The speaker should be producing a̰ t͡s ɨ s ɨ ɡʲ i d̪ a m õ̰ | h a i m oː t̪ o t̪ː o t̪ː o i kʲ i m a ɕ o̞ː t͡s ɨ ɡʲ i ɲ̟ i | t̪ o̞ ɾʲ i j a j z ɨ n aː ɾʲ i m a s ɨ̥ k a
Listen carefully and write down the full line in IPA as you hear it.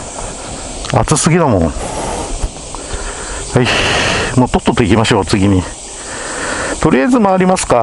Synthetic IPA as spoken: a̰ t͡s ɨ s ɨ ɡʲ i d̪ a m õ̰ | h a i m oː t̪ o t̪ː o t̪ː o i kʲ i m a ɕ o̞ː t͡s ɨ ɡʲ i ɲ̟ i | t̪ o̞ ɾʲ i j a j z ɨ m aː ɾʲ i m a s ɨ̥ k a

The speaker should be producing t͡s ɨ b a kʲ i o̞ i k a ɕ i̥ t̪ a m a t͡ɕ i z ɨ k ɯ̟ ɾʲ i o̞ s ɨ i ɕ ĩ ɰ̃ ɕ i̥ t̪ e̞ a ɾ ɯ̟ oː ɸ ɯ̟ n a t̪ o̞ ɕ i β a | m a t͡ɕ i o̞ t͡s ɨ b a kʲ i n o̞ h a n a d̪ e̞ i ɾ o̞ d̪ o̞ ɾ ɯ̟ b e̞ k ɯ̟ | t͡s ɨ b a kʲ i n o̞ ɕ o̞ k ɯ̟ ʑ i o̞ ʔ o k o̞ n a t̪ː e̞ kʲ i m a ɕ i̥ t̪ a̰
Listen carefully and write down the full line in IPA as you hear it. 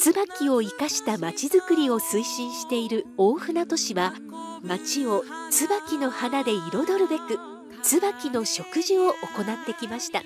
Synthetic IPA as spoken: t͡s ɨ b a kʲ i o̞ i k a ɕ i̥ t̪ a m a t͡ɕ i z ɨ k ɯ̟ ɾʲ i o̞ s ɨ i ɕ ĩ ɰ̃ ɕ i̥ t̪ e̞ i ɾ ɯ̟ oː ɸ ɯ̟ n a t̪ o̞ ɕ i β a | m a t͡ɕ i o̞ t͡s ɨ b a kʲ i n o̞ h a n a d̪ e̞ i ɾ o̞ d̪ o̞ ɾ ɯ̟ b e̞ k ɯ̟ | t͡s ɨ b a kʲ i n o̞ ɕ o̞ k ɯ̟ ʑ i o̞ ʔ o k o̞ n a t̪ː e̞ kʲ i m a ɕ i̥ t̪ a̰

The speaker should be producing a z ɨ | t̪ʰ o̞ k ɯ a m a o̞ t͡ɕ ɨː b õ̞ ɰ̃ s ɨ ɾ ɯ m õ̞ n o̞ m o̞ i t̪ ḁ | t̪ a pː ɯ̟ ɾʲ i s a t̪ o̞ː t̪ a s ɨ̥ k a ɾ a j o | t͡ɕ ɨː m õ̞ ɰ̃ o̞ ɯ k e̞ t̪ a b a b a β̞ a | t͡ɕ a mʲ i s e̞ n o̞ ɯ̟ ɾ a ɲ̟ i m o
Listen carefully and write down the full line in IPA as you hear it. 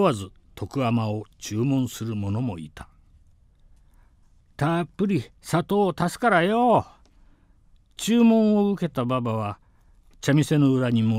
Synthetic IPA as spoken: a z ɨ | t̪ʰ o̞ k ɯ a m a o̞ t͡ɕ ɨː m õ̞ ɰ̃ s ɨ ɾ ɯ m o̞ n o̞ m o̞ i t̪ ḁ | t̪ a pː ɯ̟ ɾʲ i s a t̪ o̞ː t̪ a s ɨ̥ k a ɾ a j o | t͡ɕ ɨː m õ̞ ɰ̃ o̞ ɯ k e̞ t̪ a b a b a β̞ a | t͡ɕ a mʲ i s e̞ n o̞ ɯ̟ ɾ a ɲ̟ i m o

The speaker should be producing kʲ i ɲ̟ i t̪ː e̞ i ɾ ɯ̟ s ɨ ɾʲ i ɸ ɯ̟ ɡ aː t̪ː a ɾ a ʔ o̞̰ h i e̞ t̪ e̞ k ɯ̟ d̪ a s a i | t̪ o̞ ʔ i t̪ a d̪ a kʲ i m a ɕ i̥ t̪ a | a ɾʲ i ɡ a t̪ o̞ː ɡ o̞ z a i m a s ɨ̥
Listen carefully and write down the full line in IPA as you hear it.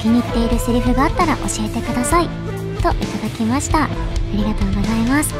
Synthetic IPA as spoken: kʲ i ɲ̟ i t̪ː e̞ i ɾ ɯ̟ s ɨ ɾʲ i ɸ ɯ̟ ɡ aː t̪ː a ɾ a ʔ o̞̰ ɕ i e̞ t̪ e̞ k ɯ̟ d̪ a s a i | t̪ o̞ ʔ i t̪ a d̪ a kʲ i m a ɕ i̥ t̪ a | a ɾʲ i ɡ a t̪ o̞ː ɡ o̞ z a i m a s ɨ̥

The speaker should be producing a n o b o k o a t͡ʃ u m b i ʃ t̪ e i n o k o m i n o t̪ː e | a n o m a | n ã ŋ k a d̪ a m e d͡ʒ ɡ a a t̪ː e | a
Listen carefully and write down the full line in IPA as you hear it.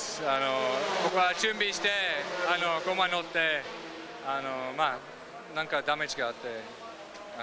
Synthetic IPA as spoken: a n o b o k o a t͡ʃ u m b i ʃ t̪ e a n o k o m a n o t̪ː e | a n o m a | n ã ŋ k a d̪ a m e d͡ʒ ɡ a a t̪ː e | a

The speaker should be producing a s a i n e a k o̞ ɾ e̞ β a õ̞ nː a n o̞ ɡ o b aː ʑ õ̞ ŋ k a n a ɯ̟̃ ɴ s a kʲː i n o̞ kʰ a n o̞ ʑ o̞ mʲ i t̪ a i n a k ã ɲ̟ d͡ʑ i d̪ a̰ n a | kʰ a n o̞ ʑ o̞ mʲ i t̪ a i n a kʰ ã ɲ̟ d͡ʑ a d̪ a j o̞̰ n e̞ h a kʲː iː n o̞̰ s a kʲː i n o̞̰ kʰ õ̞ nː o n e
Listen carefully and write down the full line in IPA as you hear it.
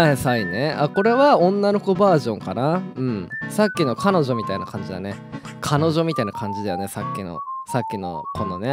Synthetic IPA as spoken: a s a i n e a k o̞ ɾ e̞ β a õ̞ nː a n o̞ k o b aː ʑ õ̞ ŋ k a n a ɯ̟̃ ɴ s a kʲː i n o̞ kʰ a n o̞ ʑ o̞ mʲ i t̪ a i n a k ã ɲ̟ d͡ʑ i d̪ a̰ n e | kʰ a n o̞ ʑ o̞ mʲ i t̪ a i n a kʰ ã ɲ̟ d͡ʑ i d̪ a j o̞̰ n e̞ s a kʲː i n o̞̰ s a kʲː i n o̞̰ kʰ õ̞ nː o n e

